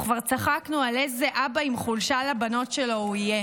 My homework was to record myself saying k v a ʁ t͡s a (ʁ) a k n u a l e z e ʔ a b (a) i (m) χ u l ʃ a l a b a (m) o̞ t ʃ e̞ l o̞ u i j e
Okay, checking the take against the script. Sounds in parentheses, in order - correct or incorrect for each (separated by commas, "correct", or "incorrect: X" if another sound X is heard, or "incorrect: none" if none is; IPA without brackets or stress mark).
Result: incorrect: χ, correct, correct, incorrect: n